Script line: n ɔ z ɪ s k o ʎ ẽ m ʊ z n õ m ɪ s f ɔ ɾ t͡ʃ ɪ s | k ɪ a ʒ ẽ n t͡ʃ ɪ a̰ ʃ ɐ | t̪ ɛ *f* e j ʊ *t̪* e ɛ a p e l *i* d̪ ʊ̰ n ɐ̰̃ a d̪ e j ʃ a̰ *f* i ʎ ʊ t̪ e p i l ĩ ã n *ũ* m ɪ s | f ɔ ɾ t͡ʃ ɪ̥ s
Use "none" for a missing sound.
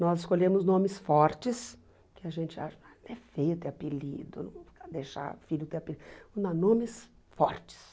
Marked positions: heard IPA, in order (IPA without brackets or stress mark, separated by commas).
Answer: f, t̪, i, f, õ